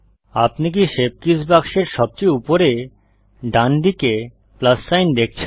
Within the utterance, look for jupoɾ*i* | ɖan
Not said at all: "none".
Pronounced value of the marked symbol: e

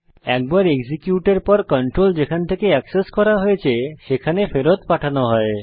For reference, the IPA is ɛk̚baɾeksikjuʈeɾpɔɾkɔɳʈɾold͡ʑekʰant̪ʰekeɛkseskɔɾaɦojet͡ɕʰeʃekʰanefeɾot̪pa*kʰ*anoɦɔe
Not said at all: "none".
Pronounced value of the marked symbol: ʈʰ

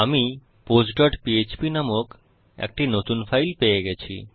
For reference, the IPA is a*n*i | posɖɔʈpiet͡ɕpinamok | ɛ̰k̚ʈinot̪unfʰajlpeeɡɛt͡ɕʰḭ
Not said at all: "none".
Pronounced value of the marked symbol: m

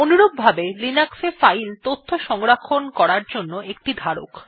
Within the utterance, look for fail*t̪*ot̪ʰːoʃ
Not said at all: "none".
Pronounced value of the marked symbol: t̪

